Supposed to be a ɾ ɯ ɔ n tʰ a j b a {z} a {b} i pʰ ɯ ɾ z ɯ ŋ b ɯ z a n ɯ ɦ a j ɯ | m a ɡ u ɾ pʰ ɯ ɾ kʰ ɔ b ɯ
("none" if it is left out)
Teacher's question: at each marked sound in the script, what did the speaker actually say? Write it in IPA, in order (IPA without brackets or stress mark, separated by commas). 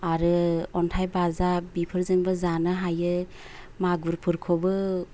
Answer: z, b